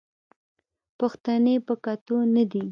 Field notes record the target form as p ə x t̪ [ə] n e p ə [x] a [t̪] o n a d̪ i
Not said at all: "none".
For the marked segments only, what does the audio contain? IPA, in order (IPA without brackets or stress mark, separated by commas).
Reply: a, k, t̪